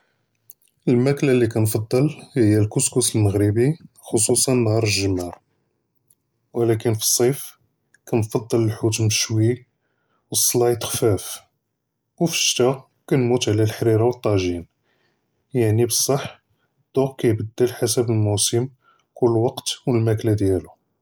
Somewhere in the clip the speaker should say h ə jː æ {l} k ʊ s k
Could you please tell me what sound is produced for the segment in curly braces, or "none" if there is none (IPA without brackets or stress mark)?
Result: l